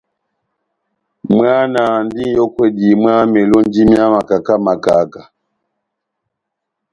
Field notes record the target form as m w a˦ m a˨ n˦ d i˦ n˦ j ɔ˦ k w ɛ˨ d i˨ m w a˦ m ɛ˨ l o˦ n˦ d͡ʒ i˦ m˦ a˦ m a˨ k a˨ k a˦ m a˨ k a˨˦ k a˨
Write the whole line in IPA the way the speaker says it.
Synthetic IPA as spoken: m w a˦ n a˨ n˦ d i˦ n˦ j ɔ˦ k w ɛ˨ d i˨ m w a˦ m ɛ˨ l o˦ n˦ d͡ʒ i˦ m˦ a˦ m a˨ k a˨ k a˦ m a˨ k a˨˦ k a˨